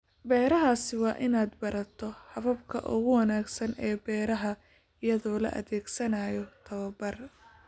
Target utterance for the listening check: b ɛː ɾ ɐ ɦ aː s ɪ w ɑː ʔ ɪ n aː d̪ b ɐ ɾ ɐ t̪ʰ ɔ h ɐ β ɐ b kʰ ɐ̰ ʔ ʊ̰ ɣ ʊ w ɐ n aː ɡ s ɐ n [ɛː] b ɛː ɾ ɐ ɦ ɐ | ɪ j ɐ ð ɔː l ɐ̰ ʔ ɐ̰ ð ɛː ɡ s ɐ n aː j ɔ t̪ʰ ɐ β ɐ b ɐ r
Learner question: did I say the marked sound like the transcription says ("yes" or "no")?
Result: yes